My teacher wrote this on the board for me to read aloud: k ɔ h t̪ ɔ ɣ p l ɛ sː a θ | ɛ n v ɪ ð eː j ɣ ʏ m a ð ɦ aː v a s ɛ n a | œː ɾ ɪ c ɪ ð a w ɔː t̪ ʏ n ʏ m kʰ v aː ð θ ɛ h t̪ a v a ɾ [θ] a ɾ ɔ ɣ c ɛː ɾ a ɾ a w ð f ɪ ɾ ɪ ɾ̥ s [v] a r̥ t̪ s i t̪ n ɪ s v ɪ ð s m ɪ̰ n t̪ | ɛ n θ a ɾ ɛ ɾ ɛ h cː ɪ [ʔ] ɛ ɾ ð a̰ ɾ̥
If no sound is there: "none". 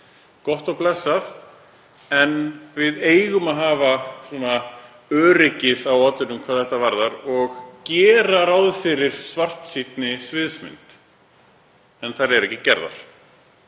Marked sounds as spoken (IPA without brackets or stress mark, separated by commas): ð, v, c